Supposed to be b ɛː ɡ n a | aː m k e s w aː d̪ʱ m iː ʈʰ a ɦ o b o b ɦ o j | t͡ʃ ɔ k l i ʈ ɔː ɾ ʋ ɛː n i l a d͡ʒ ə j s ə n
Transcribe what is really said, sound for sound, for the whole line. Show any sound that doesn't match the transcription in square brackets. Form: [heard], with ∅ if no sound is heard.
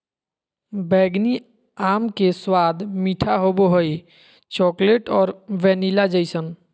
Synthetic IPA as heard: b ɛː ɡ n [i] | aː m k e s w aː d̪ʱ m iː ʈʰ a ɦ o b o [∅] ɦ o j | t͡ʃ ɔ k l [e] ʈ ɔː ɾ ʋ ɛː n i l a d͡ʒ ə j s ə n